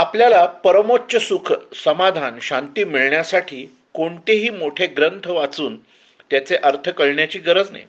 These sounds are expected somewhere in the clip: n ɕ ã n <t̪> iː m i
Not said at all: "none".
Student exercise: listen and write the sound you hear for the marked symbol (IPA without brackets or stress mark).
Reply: t̪